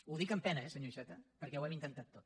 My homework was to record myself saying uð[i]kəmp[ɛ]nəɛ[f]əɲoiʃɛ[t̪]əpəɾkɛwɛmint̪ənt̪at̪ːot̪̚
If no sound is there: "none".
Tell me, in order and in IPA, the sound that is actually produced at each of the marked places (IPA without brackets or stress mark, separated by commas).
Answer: i, ɛ, s, t̪